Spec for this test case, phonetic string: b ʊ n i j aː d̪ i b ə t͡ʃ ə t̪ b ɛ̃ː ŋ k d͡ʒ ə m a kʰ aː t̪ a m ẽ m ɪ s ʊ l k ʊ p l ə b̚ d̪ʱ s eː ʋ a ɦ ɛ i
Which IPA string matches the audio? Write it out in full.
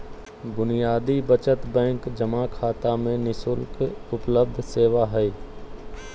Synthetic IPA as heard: b ʊ n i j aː d̪ i b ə t͡ʃ ə t̪ b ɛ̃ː ŋ k d͡ʒ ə m a kʰ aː t̪ a m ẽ n ɪ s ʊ l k ʊ p l ə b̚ d̪ʱ s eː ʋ a ɦ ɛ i